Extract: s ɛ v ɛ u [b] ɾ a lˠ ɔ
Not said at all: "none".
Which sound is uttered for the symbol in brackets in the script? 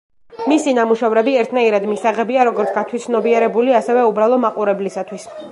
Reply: b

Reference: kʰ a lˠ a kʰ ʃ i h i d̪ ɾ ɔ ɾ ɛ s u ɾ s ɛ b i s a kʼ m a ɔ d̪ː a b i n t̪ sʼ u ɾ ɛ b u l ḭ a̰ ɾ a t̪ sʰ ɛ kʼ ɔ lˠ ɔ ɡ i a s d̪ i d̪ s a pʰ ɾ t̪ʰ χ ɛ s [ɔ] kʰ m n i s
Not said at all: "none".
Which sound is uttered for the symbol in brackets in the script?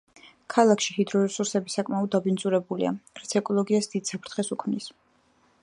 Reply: u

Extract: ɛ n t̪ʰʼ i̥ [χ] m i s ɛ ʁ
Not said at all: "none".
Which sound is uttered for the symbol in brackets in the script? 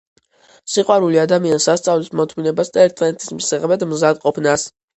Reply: s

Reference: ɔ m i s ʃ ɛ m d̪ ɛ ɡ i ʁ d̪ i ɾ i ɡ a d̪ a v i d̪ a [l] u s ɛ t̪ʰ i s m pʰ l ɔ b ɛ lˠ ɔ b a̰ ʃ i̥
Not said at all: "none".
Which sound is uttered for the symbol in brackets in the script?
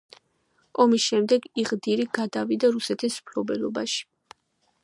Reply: ɾ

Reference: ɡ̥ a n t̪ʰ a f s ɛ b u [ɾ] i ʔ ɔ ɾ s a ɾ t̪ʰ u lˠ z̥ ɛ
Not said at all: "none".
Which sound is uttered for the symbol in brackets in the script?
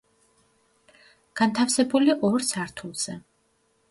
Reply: l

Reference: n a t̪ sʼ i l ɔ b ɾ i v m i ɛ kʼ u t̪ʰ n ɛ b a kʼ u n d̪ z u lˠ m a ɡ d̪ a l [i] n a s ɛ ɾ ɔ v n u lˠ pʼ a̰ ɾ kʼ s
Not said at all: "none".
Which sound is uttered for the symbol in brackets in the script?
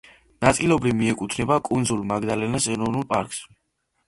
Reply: ɛ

